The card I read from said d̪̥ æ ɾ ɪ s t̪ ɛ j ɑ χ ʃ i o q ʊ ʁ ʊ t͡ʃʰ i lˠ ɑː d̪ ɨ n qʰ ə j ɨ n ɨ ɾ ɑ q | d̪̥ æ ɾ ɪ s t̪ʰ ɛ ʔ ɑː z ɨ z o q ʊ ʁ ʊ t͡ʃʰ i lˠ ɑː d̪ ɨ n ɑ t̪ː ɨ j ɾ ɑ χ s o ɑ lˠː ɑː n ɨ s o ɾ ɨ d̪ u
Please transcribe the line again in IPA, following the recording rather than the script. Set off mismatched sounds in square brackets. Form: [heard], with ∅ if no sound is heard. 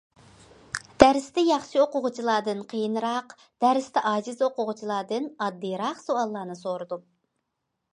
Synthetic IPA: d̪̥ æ ɾ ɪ s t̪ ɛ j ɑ χ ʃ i o q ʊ ʁ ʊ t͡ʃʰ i lˠ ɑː d̪ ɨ n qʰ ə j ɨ n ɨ ɾ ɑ q | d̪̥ æ ɾ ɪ s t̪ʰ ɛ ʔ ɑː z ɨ z o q ʊ ʁ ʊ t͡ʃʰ i lˠ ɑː d̪ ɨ n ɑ [d̪ː] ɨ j ɾ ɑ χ s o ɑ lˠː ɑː n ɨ s o ɾ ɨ d̪ u

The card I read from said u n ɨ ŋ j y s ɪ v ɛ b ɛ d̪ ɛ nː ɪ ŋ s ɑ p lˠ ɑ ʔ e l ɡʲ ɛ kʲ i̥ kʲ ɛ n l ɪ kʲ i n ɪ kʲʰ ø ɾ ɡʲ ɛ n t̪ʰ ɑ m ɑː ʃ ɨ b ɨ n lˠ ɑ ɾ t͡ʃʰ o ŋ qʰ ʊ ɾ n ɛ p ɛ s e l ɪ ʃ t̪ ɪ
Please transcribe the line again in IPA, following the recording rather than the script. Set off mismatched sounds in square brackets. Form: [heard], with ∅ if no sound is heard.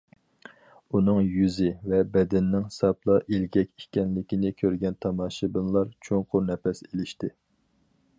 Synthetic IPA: u n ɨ ŋ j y [z] ɪ v ɛ b ɛ d̪ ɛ nː ɪ ŋ s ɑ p lˠ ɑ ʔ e l ɡʲ ɛ kʲ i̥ kʲ ɛ n l ɪ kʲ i n ɪ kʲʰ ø ɾ ɡʲ ɛ n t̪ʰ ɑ m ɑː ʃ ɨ b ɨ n lˠ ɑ ɾ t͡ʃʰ o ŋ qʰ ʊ ɾ n ɛ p ɛ s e l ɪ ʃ t̪ ɪ

